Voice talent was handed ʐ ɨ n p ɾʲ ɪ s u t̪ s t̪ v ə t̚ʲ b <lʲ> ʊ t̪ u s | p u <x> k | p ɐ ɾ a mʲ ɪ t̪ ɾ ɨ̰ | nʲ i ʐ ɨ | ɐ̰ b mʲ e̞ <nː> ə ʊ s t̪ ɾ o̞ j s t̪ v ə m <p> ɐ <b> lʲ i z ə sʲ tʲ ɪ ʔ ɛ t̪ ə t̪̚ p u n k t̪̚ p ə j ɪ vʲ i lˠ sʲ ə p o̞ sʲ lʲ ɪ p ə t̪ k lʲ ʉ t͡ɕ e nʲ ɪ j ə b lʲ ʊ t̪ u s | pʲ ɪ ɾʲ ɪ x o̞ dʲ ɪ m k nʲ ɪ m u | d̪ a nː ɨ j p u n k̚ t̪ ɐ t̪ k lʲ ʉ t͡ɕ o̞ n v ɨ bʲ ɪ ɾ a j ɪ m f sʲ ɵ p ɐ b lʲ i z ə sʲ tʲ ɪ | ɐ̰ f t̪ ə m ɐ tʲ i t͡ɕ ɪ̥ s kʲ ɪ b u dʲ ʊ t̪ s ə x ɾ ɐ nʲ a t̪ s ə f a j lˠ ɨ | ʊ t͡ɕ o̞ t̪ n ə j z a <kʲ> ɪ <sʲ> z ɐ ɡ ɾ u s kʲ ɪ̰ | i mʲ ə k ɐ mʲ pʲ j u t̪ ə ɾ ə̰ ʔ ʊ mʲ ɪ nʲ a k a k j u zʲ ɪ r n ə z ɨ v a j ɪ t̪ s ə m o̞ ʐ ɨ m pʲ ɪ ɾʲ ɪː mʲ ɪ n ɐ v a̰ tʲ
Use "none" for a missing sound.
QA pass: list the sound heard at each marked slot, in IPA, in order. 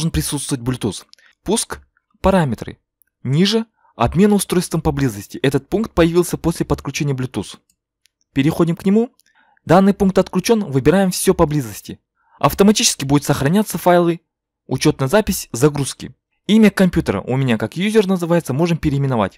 lʲ, s, n, p, b, pʲ, sʲ

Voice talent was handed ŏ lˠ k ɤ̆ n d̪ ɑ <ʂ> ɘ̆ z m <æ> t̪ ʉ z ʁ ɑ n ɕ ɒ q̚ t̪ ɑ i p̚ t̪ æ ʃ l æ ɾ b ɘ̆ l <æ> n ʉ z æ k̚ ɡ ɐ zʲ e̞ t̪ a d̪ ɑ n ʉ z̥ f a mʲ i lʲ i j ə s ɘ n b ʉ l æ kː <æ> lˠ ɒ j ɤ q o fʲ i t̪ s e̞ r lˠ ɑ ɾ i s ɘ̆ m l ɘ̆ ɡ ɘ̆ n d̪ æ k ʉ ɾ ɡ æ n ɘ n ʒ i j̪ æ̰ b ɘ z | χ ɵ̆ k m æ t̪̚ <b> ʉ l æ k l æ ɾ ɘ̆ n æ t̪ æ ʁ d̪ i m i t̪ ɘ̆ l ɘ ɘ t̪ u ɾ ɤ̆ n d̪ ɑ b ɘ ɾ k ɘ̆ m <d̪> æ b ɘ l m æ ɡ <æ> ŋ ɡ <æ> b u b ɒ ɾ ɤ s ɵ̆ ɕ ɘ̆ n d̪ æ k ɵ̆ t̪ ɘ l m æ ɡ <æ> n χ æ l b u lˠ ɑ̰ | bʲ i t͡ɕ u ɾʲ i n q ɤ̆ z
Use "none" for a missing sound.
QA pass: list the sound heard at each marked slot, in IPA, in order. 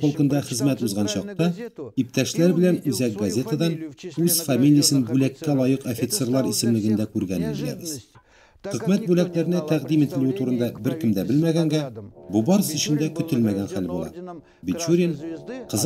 χ, æ, æ, æ, b, d̪, æ, æ, æ

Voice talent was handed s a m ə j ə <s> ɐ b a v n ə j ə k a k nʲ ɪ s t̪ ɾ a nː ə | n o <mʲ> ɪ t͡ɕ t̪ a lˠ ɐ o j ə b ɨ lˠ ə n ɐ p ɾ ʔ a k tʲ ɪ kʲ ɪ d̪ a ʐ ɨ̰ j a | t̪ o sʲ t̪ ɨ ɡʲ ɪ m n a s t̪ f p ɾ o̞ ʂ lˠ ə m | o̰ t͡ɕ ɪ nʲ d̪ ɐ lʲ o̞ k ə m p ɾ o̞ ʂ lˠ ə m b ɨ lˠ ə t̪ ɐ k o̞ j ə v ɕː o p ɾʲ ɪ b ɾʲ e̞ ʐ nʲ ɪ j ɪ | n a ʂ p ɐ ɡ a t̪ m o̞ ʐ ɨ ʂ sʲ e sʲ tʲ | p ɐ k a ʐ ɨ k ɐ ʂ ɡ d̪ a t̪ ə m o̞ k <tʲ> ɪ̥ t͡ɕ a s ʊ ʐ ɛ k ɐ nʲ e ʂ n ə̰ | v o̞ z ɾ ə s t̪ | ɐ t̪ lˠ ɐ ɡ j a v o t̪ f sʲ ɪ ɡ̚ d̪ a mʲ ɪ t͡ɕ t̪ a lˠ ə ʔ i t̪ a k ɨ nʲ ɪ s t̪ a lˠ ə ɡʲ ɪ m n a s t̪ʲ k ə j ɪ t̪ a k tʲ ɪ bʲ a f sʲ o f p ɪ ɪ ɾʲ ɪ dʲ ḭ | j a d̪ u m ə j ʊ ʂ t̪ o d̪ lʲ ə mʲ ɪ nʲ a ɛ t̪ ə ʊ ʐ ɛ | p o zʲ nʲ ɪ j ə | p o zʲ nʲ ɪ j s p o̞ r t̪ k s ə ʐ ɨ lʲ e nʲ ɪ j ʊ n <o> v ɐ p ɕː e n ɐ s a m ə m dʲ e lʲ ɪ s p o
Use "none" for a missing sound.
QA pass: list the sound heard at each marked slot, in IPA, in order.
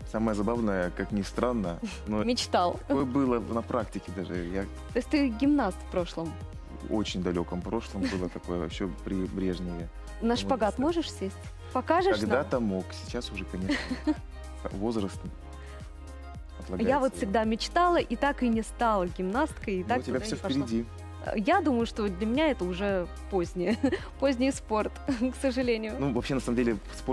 z, mʲ, sʲ, u

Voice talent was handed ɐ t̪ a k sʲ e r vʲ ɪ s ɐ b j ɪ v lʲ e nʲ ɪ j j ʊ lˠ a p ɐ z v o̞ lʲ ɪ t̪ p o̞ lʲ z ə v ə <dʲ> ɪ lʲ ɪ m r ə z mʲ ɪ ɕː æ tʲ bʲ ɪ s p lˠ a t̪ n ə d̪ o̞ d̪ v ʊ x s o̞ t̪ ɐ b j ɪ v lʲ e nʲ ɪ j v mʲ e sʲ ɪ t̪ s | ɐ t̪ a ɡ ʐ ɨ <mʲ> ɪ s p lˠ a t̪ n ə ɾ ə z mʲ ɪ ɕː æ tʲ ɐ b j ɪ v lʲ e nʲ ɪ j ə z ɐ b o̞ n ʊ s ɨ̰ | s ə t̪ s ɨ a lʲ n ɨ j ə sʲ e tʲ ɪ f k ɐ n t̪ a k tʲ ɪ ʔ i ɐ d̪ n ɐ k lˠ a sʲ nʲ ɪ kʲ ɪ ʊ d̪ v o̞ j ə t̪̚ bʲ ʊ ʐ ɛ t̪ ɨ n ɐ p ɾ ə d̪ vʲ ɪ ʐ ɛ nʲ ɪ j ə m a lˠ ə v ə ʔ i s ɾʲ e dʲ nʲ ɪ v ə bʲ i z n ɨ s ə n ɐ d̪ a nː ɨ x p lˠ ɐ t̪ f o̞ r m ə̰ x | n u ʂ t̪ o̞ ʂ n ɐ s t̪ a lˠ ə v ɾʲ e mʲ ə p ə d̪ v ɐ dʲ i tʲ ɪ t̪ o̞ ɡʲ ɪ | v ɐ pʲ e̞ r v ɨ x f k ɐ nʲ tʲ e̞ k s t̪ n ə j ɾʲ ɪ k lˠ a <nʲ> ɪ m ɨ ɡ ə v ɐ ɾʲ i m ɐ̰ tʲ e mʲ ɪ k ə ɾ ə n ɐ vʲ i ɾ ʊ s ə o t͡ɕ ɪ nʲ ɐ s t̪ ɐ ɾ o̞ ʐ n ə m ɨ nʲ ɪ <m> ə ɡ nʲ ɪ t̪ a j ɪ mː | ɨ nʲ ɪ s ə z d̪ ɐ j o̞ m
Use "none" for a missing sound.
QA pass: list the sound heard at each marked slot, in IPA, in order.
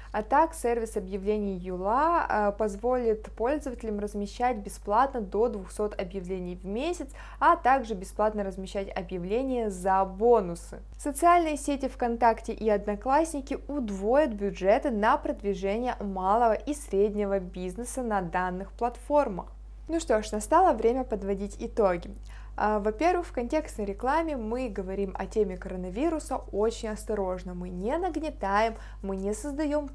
tʲ, bʲ, mʲ, n

